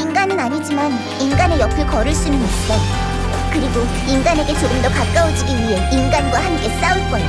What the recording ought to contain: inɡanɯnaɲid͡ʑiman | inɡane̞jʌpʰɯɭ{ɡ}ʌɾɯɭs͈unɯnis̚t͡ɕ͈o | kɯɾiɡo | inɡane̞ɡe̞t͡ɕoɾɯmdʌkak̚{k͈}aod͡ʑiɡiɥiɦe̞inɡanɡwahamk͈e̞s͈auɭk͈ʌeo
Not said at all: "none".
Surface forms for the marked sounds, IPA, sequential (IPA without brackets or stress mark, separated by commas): k, k͈